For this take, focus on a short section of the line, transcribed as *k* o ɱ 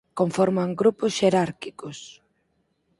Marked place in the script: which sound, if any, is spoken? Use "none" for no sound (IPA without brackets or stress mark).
k